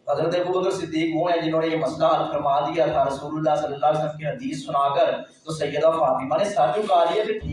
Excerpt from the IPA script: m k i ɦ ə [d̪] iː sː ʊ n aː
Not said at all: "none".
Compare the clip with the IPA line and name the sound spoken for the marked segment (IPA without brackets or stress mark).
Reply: d̪